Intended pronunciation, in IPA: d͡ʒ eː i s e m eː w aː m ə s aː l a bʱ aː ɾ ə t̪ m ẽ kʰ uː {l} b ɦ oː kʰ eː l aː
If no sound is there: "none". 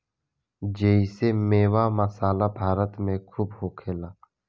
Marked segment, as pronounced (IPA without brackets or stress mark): none